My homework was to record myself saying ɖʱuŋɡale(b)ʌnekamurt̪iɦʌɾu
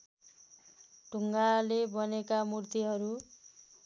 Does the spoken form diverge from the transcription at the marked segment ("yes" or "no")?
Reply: no